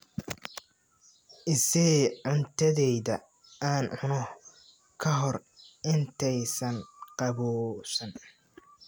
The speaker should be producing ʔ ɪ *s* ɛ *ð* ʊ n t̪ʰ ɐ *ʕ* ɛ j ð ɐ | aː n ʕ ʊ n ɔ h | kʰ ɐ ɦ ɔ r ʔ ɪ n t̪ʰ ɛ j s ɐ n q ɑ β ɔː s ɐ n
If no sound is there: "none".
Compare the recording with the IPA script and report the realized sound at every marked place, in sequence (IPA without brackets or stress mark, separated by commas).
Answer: s, ʕ, ð